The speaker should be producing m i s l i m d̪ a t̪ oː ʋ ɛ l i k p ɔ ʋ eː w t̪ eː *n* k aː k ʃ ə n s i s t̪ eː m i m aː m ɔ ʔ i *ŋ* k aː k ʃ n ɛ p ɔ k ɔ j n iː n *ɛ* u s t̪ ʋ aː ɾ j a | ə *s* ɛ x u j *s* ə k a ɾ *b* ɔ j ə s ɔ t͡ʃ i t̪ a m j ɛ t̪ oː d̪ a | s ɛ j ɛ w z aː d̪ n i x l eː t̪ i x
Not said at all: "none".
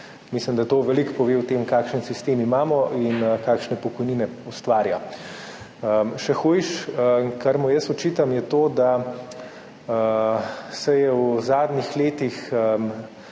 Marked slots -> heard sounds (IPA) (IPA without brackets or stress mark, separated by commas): m, n, ɛ, ʃ, ʃ, m